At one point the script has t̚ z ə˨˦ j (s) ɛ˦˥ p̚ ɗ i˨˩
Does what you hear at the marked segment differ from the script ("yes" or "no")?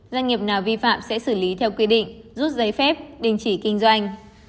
yes